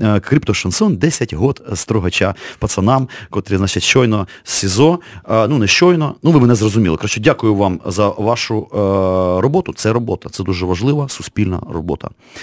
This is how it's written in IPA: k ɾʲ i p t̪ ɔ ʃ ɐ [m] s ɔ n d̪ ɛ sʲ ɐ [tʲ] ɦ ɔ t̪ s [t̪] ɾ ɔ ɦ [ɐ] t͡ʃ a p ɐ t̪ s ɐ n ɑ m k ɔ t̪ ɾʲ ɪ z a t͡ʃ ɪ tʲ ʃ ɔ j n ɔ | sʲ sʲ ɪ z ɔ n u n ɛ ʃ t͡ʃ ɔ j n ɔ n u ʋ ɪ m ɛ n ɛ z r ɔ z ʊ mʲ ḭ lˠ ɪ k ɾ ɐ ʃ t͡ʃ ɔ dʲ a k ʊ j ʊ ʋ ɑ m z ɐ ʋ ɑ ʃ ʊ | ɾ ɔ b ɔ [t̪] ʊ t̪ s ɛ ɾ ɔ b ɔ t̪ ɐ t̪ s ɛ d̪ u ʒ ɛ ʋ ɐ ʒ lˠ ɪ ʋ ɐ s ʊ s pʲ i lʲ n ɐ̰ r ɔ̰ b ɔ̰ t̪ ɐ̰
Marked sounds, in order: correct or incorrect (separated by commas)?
incorrect, correct, correct, correct, correct